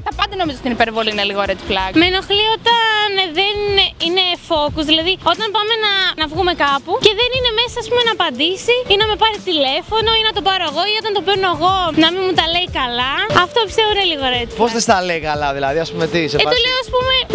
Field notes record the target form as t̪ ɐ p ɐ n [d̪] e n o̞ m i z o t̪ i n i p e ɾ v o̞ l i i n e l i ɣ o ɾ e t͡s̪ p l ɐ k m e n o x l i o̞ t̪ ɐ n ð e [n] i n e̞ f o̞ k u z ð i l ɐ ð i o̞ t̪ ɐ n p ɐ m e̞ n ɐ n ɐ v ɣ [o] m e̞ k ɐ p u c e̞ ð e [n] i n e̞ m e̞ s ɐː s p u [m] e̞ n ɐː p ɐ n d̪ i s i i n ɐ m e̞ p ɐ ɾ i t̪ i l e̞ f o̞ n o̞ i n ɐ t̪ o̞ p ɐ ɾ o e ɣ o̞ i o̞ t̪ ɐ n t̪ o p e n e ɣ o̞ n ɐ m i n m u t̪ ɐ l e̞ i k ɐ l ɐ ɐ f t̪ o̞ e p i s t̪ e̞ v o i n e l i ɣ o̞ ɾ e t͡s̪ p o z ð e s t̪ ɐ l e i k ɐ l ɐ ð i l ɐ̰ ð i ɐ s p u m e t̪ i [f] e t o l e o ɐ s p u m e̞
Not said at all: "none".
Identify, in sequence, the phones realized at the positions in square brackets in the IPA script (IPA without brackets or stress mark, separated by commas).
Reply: d̪, n, u, n, m, s